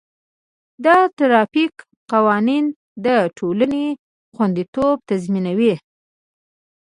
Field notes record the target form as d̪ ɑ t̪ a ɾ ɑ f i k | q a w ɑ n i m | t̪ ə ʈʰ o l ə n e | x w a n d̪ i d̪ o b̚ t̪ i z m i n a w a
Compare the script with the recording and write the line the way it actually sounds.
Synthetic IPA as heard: d̪ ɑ t̪ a ɾ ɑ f i k | q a w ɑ n i n | d̪ ə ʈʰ o l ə n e | x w a n d̪ i t̪ o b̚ t̪ a z m i n a w i